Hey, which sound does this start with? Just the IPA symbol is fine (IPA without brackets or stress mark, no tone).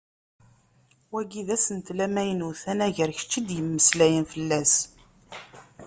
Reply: w